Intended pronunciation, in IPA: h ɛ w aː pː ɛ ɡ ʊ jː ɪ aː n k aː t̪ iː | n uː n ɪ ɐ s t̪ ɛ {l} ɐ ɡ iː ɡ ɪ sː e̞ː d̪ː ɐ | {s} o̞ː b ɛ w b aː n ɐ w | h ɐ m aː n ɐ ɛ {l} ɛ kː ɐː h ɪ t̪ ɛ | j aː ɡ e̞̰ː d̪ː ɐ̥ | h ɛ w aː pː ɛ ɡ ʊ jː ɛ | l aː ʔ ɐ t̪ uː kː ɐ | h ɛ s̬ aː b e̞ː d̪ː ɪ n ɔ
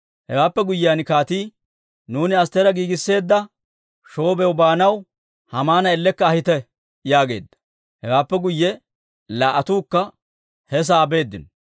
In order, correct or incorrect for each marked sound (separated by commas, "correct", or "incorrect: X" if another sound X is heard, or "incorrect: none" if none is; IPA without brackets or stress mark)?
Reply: incorrect: ɾ, incorrect: ʃ, incorrect: lː